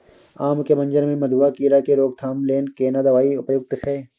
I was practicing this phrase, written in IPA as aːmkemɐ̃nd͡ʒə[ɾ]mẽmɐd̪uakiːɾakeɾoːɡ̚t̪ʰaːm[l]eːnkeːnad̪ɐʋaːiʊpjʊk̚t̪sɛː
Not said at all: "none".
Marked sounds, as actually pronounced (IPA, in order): ɾ, l

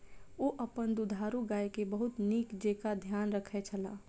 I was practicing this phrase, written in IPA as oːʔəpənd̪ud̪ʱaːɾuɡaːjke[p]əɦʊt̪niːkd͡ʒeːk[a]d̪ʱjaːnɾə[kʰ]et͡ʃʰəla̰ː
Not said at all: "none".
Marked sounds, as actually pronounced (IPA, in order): b, a, kʰ

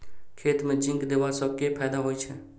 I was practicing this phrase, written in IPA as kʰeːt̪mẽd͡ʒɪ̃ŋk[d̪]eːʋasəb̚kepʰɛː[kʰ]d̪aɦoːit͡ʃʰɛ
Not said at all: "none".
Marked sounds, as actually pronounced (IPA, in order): d̪, none

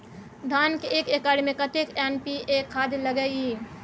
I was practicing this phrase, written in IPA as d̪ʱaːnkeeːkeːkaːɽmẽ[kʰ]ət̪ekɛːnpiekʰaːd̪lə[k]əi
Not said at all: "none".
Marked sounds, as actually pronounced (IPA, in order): k, ɡ

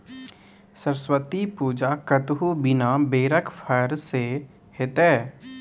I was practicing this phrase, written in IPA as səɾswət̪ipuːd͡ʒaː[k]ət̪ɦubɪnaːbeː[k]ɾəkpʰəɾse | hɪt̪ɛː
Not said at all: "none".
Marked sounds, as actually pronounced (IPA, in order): k, none

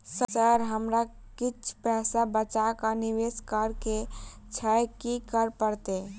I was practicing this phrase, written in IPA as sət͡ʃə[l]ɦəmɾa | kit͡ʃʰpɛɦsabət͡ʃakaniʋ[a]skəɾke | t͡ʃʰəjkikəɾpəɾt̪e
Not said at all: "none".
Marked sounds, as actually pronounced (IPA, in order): ɾ, e

